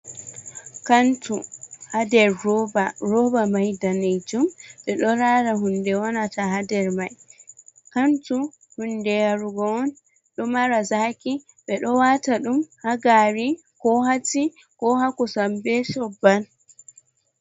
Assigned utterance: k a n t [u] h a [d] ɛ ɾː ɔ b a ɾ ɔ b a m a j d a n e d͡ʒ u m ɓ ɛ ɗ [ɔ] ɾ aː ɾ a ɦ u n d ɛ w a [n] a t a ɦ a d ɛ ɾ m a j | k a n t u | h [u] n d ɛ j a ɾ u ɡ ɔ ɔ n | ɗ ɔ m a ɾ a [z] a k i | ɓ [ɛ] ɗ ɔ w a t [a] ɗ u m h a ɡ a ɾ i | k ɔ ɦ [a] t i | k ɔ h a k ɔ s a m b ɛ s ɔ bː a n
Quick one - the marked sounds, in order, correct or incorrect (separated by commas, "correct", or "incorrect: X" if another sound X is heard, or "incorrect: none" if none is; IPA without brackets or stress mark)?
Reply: correct, correct, correct, correct, correct, correct, correct, correct, correct